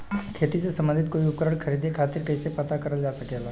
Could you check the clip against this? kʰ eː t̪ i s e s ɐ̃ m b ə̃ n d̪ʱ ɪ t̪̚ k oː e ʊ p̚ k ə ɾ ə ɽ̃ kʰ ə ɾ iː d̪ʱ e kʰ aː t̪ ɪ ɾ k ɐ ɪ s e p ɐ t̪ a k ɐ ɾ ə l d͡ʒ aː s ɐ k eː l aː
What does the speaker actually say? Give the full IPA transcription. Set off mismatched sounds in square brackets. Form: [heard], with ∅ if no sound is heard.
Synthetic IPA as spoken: kʰ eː t̪ i s e s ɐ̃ m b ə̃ n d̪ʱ ɪ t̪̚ k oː [i] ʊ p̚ k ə ɾ ə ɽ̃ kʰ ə ɾ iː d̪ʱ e kʰ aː t̪ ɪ ɾ k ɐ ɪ s e p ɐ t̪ a k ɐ ɾ ə l d͡ʒ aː s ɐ k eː l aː